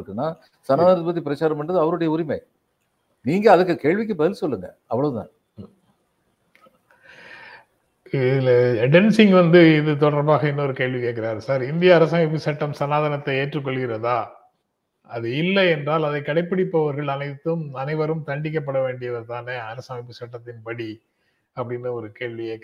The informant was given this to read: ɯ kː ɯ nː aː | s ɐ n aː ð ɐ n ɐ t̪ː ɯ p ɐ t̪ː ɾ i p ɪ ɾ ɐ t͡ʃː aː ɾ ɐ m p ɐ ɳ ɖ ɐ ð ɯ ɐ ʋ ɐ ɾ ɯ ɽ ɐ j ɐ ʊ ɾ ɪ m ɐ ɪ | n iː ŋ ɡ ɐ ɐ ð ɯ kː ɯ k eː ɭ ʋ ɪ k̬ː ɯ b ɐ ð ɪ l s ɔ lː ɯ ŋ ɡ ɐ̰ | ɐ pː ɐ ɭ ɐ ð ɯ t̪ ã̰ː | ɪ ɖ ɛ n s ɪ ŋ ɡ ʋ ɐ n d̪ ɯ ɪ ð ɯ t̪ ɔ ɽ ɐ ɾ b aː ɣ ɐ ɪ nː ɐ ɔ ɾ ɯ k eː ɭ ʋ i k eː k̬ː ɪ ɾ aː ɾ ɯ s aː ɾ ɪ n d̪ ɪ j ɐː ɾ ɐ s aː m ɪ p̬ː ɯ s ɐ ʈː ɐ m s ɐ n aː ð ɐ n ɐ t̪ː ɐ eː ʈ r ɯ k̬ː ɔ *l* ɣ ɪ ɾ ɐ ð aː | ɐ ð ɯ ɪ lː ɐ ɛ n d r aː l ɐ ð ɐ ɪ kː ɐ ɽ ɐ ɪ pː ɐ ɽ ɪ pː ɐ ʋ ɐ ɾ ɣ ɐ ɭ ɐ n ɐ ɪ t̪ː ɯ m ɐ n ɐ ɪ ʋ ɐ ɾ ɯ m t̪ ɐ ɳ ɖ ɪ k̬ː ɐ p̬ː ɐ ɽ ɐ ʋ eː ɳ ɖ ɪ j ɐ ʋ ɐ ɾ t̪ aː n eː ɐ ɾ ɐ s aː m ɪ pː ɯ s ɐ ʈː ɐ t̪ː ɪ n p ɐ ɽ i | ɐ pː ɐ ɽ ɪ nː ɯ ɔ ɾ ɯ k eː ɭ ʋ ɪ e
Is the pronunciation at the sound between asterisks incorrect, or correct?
incorrect